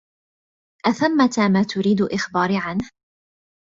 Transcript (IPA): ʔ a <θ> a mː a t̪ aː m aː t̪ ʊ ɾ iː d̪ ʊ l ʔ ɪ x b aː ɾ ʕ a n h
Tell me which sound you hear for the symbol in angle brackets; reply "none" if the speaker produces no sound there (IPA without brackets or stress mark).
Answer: θ